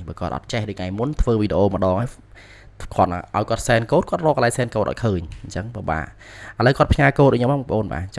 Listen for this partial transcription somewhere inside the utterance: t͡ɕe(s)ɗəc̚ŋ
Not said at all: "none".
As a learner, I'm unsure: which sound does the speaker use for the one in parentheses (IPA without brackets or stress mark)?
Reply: h